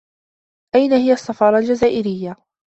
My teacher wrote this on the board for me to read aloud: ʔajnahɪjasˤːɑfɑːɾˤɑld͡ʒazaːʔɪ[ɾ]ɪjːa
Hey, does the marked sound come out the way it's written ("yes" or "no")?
yes